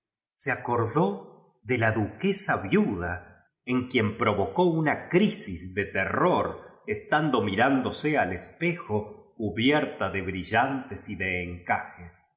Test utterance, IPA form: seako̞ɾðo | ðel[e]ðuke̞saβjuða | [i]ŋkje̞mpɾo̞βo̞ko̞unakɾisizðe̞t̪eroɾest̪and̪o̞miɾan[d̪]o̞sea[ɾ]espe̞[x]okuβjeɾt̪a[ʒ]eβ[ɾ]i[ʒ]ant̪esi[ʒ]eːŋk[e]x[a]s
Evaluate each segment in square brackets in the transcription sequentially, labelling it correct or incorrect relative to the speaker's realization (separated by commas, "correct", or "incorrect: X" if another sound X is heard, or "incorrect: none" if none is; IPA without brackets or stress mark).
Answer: incorrect: a, incorrect: e, correct, incorrect: l, correct, incorrect: ð, correct, correct, incorrect: ð, incorrect: a, incorrect: e